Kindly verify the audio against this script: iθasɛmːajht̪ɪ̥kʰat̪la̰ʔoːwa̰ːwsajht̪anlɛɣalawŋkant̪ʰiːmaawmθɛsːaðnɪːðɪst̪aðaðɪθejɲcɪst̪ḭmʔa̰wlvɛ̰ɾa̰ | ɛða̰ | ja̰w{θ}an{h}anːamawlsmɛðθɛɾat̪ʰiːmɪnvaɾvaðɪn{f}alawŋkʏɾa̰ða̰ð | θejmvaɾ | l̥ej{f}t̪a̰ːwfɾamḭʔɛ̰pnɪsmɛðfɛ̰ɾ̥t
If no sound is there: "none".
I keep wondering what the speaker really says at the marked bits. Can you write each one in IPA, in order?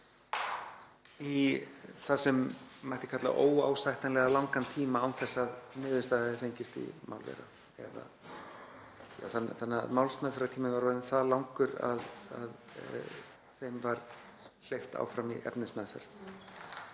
θ, θ, θ, f

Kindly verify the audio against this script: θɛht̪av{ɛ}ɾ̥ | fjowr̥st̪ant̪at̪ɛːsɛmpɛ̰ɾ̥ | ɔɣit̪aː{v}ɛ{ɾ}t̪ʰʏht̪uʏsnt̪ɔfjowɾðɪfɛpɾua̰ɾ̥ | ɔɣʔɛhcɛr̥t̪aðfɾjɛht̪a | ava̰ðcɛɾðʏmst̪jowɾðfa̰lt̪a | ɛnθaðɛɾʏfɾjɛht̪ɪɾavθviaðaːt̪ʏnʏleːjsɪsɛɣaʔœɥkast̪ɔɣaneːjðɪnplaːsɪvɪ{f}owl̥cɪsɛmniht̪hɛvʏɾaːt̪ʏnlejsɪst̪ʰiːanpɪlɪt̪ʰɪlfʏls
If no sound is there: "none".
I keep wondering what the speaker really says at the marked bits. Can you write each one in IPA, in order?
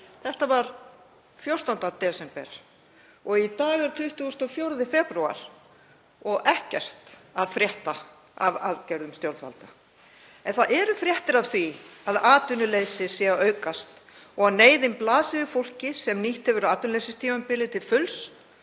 a, ɣ, ɾ, f

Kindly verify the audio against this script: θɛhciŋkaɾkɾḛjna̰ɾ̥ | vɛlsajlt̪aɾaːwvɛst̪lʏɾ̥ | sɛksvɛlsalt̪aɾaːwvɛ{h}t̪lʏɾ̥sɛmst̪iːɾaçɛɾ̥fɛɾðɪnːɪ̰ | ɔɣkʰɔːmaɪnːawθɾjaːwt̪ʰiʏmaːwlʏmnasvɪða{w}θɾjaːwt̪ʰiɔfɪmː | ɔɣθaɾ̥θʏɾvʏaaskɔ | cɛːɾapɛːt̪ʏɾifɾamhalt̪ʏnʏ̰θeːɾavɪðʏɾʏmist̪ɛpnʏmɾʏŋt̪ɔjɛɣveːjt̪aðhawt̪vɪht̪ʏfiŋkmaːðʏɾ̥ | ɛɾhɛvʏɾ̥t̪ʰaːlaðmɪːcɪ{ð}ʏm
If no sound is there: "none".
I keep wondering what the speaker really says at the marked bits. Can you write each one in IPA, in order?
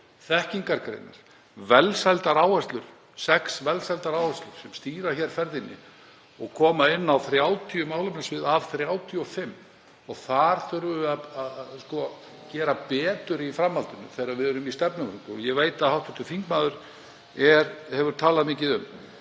s, v, ð

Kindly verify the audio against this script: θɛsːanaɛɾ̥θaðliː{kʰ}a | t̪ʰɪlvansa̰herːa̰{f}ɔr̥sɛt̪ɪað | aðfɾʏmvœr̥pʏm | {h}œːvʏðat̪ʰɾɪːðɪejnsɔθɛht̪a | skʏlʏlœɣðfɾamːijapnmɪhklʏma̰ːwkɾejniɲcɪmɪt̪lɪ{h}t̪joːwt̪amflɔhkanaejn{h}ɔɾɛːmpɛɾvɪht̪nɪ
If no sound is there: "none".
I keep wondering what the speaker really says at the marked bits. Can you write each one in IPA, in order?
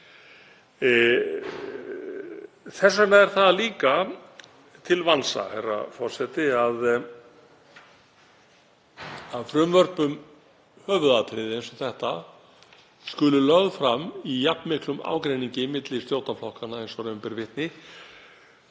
k, f, h, s, s

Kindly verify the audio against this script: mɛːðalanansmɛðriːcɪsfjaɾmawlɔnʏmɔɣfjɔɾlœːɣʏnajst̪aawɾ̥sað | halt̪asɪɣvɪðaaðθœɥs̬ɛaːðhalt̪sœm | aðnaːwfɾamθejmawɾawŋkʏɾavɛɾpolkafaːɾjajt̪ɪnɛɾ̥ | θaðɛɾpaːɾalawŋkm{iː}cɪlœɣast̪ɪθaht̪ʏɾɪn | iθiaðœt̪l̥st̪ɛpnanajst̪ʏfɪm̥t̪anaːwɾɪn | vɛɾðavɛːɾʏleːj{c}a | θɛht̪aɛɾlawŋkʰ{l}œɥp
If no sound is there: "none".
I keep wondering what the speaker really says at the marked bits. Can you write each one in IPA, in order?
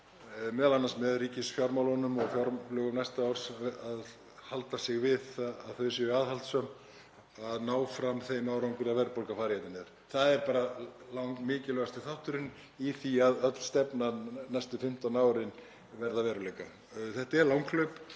ɪː, k, l

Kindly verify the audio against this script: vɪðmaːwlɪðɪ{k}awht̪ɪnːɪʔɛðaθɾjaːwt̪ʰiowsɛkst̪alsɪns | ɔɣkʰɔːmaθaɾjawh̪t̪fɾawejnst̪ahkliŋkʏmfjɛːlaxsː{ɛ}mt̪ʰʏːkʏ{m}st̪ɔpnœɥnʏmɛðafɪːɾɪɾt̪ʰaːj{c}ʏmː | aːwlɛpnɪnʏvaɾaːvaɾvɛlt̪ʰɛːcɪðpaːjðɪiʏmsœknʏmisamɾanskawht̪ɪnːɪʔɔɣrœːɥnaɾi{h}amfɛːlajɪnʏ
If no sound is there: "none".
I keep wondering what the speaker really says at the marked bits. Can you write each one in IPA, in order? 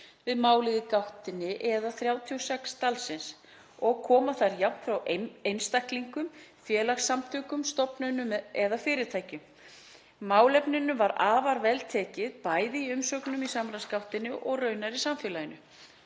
k, a, m, c, s

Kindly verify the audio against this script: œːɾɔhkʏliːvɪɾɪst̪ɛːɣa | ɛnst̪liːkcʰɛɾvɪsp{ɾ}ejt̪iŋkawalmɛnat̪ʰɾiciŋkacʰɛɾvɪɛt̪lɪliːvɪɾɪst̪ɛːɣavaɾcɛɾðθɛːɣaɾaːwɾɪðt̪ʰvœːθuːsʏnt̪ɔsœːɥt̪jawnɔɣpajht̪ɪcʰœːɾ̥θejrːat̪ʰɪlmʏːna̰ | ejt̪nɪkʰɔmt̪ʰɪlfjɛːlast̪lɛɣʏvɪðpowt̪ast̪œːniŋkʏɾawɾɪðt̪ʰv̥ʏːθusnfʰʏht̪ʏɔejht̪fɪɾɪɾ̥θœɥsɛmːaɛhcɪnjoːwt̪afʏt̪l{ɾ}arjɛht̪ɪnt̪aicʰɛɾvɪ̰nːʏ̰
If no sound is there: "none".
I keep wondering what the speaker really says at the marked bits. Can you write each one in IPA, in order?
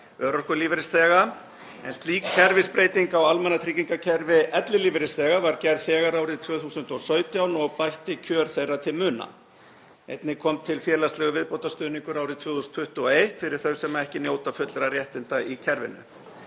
ɾ, ɾ

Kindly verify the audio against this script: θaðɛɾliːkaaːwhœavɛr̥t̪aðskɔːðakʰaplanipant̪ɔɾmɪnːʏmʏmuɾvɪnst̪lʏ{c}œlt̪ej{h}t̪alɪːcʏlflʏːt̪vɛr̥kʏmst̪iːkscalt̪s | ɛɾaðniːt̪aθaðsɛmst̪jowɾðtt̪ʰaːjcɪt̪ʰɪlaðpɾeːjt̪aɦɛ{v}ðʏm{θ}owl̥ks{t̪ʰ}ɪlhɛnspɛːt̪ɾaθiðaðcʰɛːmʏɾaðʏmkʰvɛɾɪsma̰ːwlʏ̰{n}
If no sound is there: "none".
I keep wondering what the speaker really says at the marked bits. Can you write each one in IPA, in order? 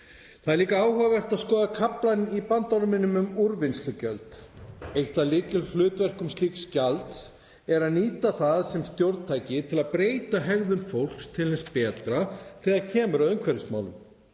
c, h, ɣ, f, t̪ʰ, m

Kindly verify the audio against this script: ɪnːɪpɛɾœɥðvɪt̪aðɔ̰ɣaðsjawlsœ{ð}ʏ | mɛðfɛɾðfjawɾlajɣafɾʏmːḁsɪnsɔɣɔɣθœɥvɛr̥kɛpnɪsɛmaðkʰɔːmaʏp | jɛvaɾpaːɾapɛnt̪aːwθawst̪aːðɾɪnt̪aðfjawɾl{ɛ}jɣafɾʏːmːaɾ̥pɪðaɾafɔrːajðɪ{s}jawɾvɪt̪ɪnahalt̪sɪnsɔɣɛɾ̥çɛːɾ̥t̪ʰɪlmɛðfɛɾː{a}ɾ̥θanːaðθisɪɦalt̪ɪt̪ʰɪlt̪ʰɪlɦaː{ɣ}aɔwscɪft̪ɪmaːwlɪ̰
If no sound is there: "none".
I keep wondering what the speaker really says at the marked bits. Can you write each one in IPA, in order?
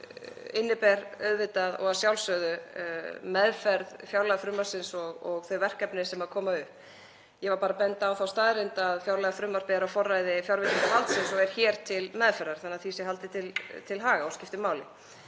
ð, a, f, a, ɣ

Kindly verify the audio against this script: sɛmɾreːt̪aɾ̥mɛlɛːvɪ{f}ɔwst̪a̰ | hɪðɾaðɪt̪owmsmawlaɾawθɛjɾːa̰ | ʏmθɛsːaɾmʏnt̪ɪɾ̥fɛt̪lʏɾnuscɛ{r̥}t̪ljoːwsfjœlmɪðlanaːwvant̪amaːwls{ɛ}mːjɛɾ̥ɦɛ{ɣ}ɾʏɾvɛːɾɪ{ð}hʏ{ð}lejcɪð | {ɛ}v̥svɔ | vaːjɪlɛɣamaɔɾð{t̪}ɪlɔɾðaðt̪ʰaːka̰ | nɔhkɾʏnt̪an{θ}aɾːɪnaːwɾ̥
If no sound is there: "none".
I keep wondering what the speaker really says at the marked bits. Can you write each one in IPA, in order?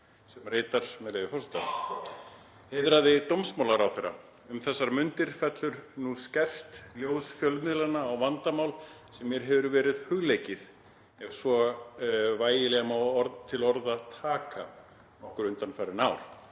f, r̥, ɛ, v, ð, ɣ, ɛ, t̪ʰ, f

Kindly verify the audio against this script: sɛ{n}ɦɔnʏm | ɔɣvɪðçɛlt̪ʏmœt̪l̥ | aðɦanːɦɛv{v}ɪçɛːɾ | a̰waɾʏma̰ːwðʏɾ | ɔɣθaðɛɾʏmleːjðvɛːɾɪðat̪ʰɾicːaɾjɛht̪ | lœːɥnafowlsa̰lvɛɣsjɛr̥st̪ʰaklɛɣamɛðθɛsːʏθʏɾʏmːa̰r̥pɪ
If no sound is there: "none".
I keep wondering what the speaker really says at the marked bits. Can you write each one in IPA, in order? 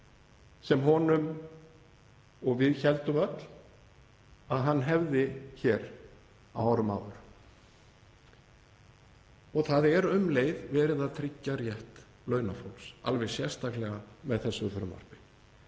m, ð

